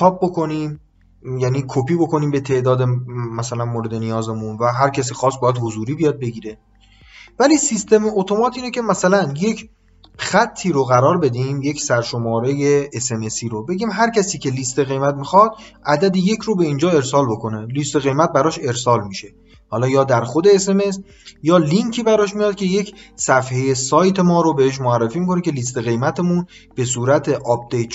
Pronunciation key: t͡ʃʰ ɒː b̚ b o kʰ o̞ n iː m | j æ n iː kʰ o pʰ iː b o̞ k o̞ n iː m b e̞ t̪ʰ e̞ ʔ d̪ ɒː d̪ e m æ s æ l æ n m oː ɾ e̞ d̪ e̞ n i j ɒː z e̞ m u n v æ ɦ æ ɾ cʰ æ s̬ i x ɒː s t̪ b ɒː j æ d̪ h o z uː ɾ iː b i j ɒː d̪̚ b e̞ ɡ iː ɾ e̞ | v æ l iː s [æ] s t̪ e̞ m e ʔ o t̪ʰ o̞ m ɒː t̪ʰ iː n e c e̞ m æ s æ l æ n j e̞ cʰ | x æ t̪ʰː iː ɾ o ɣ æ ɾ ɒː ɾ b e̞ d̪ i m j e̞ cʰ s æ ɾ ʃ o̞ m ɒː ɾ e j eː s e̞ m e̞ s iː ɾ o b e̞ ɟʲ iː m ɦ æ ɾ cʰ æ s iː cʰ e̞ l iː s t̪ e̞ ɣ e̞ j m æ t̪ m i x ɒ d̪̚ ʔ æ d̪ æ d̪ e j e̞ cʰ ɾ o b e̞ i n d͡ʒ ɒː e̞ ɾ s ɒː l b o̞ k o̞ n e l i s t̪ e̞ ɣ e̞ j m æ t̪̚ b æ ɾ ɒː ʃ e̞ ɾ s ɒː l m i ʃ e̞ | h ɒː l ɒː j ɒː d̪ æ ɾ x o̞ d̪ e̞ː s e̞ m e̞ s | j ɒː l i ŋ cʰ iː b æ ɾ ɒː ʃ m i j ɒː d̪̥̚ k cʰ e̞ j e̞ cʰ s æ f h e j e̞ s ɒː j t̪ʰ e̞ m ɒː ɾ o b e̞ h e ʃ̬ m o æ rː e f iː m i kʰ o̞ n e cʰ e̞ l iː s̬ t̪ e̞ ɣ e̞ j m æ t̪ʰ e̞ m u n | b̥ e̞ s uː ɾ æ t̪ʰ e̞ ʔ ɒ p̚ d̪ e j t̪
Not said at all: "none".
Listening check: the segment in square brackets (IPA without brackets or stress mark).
i